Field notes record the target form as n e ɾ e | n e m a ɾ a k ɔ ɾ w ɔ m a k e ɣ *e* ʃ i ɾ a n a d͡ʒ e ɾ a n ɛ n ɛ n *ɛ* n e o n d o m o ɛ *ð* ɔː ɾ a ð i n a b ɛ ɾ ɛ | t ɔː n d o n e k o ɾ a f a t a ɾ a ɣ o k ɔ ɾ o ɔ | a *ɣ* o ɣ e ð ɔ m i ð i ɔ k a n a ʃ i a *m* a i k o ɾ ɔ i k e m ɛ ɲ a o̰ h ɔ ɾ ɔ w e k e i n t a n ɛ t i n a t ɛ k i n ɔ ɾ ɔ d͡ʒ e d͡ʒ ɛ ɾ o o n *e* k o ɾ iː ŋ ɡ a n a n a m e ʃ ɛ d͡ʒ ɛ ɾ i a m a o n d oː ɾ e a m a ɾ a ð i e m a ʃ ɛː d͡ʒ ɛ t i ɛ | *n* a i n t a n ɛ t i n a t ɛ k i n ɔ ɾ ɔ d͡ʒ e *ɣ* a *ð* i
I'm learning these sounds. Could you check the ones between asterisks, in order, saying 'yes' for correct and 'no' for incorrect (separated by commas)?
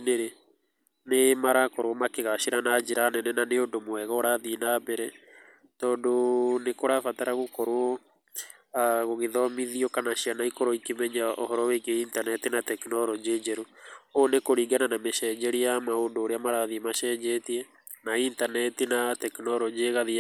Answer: no, no, no, yes, no, yes, yes, yes, yes